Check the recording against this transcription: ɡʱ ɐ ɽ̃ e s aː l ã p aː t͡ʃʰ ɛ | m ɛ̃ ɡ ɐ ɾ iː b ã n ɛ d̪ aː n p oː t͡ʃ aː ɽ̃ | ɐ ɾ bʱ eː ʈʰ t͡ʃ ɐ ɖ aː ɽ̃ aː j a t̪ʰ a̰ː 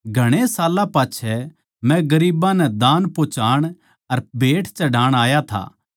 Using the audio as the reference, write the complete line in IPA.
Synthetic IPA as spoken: ɡʱ ɐ ɽ̃ e s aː l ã p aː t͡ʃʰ ɛ | m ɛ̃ ɡ ɐ ɾ iː b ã n ɛ d̪ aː n p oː t͡ʃ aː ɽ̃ | ɐ ɾ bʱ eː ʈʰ t͡ʃ ɐ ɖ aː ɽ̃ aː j a t̪ʰ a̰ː